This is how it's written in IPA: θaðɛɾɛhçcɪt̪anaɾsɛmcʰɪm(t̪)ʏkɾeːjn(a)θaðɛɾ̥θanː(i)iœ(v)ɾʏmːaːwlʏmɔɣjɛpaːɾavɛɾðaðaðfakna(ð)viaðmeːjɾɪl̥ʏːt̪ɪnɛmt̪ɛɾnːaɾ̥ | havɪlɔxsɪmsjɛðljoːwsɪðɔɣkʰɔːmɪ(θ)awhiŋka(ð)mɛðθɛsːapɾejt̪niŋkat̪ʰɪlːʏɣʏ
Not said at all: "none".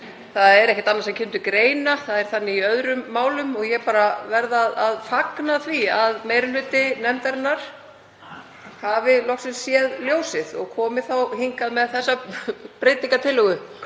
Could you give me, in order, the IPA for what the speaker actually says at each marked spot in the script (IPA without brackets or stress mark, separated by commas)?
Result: t̪, a, ɪ, ð, θ, θ, ð